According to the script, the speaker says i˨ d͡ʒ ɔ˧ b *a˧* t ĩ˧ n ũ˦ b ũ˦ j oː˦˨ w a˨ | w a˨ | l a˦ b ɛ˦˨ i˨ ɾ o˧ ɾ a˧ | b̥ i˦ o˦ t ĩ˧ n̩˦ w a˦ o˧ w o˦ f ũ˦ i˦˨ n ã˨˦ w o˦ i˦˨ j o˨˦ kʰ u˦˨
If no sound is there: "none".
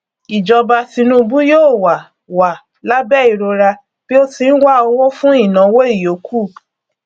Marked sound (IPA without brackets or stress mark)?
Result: a˧